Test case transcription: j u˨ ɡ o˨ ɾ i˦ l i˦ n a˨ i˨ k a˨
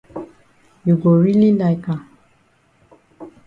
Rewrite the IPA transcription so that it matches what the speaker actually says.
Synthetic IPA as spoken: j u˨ ɡ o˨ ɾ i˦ l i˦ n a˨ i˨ k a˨